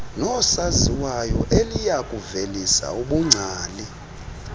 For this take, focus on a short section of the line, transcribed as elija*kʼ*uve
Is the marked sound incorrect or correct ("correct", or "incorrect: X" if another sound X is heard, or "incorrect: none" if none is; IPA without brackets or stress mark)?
correct